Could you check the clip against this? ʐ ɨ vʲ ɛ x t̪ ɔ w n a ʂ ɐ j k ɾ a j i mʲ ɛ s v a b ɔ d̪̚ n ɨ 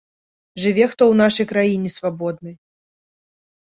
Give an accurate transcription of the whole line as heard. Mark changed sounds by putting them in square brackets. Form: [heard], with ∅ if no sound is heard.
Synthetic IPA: ʐ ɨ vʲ ɛ x t̪ ɔ w n a ʂ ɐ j k ɾ a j i [nʲ] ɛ s v a b ɔ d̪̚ n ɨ